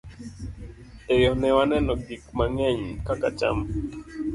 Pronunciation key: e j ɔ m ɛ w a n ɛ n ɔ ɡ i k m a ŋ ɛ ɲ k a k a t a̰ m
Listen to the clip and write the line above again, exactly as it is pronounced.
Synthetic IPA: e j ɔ n ɛ w a n ɛ n ɔ ɡ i k m a ŋ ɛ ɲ k a k a t͡ʃ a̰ m

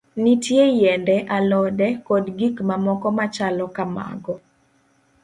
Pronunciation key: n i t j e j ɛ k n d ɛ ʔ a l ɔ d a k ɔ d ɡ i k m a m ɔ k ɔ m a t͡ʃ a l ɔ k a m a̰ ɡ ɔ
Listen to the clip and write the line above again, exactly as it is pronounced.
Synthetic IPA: n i t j e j ɛ n d ɛ ʔ a l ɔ d ɛ k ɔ d ɡ i k m a m ɔ k ɔ m a t͡ʃ a l ɔ k a m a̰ ɡ ɔ

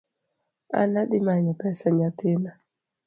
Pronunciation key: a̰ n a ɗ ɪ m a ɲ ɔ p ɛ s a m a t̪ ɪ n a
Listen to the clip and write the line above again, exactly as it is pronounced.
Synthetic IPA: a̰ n a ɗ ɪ m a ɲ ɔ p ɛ s a ɲ a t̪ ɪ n a

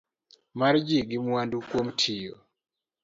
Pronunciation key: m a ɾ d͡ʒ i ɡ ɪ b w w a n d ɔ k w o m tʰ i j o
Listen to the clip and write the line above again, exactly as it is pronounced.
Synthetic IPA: m a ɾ d͡ʒ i ɡ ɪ m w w a n d u k w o m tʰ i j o

